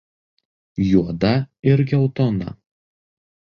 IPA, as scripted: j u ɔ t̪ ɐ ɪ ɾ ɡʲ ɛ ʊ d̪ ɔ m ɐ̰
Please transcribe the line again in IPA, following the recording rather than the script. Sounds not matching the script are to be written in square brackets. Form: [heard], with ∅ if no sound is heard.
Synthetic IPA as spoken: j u ɔ [d̪] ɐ ɪ ɾ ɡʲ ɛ ʊ [t̪] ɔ [n] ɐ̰

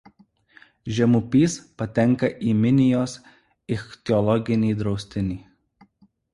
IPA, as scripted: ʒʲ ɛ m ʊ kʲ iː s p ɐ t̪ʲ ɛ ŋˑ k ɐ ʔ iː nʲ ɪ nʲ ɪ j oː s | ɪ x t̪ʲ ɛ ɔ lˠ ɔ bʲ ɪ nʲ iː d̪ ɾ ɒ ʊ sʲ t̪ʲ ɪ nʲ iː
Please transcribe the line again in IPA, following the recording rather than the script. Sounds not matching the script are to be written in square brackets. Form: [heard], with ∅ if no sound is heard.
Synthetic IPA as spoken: ʒʲ ɛ m ʊ [pʲ] iː s p ɐ t̪ʲ ɛ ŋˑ k ɐ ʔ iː [mʲ] ɪ nʲ ɪ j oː s | ɪ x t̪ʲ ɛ ɔ lˠ ɔ [ɡʲ] ɪ nʲ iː d̪ ɾ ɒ ʊ sʲ t̪ʲ ɪ nʲ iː

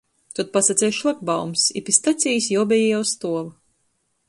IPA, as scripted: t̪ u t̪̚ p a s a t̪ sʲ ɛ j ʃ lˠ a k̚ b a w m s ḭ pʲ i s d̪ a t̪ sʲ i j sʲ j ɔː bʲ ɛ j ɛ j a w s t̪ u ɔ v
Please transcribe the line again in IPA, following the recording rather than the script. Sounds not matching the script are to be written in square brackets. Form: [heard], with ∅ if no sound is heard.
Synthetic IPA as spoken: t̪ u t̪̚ p a s a t̪ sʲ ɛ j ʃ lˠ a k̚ b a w m s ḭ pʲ i s [t̪] a t̪ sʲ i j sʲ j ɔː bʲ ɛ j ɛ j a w s t̪ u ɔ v

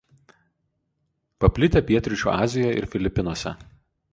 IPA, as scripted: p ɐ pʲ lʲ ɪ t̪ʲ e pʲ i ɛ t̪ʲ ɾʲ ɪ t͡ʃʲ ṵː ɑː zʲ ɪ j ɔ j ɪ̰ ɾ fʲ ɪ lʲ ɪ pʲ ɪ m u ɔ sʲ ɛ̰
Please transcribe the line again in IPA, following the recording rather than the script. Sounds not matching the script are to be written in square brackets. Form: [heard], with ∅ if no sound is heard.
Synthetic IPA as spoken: p ɐ pʲ lʲ ɪ t̪ʲ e pʲ i ɛ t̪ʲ ɾʲ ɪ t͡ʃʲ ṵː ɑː zʲ ɪ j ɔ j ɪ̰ ɾ fʲ ɪ lʲ ɪ pʲ ɪ [n] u ɔ sʲ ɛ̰

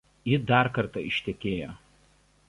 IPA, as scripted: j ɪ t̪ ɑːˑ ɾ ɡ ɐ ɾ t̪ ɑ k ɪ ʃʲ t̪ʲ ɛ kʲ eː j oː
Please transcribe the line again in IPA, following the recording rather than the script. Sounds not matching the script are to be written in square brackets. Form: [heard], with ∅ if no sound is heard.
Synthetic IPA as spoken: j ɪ [d̪] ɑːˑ ɾ [k] ɐ ɾ t̪ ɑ [∅] ɪ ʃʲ t̪ʲ ɛ kʲ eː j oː

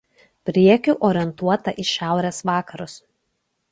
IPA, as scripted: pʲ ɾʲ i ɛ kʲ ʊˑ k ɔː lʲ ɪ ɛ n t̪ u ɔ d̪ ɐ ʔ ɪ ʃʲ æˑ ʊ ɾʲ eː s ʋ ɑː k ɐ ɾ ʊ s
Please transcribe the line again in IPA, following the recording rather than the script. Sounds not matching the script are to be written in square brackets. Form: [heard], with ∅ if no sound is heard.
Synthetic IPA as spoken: pʲ ɾʲ i ɛ kʲ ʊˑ [ʔ] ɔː [ɾʲ] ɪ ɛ n t̪ u ɔ [t̪] ɐ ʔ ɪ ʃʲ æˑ ʊ ɾʲ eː s ʋ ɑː k ɐ ɾ ʊ s

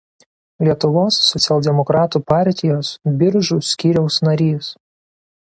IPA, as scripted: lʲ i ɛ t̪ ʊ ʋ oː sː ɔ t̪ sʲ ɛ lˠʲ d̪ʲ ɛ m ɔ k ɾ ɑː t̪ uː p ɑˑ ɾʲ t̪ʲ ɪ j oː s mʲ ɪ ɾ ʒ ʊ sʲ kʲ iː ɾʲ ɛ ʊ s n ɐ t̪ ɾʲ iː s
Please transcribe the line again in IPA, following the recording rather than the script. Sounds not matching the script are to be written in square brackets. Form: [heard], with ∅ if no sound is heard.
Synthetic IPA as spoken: lʲ i ɛ t̪ ʊ ʋ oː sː ɔ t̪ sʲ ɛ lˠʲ d̪ʲ ɛ m ɔ k ɾ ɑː t̪ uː p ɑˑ ɾʲ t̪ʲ ɪ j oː s [bʲ] ɪ ɾ ʒ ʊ sʲ kʲ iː ɾʲ ɛ ʊ s n ɐ [∅] ɾʲ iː s

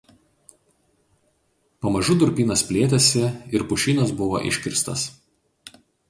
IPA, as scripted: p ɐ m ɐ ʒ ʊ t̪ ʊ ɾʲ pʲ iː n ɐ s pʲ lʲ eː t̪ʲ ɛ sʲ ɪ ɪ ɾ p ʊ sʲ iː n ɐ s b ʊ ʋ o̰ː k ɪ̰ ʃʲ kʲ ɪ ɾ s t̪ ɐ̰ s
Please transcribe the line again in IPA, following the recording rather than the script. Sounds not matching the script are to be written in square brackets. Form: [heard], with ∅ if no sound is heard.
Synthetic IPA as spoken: p ɐ m ɐ ʒ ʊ [d̪] ʊ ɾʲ pʲ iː n ɐ s pʲ lʲ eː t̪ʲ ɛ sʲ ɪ ɪ ɾ p ʊ [ʃʲ] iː n ɐ s b ʊ ʋ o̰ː [ʔ] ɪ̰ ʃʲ kʲ ɪ ɾ s t̪ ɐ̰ s

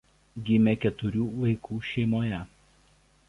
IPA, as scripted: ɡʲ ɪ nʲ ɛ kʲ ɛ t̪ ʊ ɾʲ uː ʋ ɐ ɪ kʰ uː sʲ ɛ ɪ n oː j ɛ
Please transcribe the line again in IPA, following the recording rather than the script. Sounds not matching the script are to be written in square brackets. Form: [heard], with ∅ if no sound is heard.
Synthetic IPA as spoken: ɡʲ ɪ [mʲ] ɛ kʲ ɛ t̪ ʊ ɾʲ uː ʋ ɐ ɪ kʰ uː [ʃʲ] ɛ ɪ [m] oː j ɛ

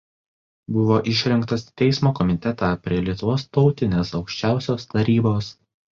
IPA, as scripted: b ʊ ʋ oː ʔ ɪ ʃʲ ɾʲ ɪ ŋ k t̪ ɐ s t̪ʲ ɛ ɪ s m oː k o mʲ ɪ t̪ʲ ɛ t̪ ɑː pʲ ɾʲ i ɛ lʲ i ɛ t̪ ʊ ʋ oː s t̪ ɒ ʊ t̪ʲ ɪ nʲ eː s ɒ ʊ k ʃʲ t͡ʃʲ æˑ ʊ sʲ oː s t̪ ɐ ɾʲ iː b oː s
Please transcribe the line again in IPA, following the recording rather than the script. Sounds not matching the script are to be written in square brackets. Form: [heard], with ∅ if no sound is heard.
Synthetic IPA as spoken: b ʊ ʋ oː ʔ ɪ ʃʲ ɾʲ ɪ ŋ k t̪ ɐ s t̪ʲ ɛ ɪ s m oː k [ɔ] mʲ ɪ t̪ʲ ɛ t̪ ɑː pʲ ɾʲ i ɛ lʲ i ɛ t̪ ʊ ʋ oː s t̪ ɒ ʊ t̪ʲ ɪ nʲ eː s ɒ ʊ k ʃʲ t͡ʃʲ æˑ ʊ sʲ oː s t̪ ɐ ɾʲ iː b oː s

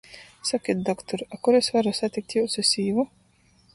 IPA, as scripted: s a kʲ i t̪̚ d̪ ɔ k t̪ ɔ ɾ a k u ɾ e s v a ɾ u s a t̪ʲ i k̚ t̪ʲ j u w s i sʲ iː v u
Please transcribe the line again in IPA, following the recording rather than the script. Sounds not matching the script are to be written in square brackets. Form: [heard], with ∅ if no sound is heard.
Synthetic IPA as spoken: s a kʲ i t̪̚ d̪ ɔ k t̪ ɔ ɾ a k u ɾ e s v a ɾ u s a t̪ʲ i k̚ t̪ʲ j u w s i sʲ iː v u

